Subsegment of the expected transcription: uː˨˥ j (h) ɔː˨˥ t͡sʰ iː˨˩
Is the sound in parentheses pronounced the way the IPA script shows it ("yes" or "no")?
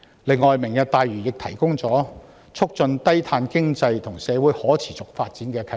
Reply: yes